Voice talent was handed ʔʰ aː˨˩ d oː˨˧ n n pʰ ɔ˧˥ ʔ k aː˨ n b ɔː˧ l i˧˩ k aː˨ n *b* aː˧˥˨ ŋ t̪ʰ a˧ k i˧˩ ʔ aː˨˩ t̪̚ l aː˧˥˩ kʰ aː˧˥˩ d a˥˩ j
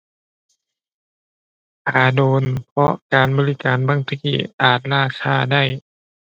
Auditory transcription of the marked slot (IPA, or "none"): b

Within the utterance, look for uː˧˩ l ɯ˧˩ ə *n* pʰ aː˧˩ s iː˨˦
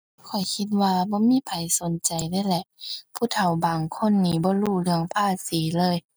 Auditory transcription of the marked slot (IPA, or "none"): ŋ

